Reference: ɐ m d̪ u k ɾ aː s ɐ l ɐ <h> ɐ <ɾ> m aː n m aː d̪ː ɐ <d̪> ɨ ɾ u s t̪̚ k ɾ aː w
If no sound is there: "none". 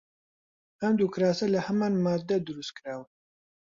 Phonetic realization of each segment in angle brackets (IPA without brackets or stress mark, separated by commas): h, none, d̪